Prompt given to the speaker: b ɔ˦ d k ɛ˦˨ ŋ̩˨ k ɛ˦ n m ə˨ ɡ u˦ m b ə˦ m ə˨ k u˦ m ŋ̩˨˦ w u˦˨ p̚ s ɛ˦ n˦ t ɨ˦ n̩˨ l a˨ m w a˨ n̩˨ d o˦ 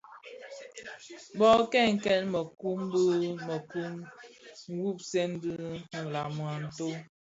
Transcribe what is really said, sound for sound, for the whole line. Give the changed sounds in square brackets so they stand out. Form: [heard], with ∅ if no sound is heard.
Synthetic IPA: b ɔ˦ [∅] k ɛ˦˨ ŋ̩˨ k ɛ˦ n m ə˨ [k] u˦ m b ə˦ m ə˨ k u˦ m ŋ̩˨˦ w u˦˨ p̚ s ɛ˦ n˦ [d] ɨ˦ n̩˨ l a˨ m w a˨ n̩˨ [t] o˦